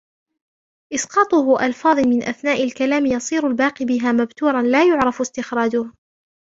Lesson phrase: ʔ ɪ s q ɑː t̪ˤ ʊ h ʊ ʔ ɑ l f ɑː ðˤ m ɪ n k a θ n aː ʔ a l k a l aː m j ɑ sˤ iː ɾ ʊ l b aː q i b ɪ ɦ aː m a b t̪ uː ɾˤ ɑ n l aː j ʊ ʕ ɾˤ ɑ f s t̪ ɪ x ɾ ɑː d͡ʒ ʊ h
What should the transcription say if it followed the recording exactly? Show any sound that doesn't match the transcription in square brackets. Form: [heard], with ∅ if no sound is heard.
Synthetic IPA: ʔ ɪ s q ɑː t̪ˤ ʊ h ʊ ʔ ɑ l f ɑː ðˤ m ɪ n [ʔ] a θ n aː ʔ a l k a l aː m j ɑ sˤ iː ɾ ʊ l b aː q i b ɪ ɦ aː m a b t̪ uː ɾˤ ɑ n l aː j ʊ ʕ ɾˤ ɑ f s t̪ ɪ x ɾ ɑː d͡ʒ ʊ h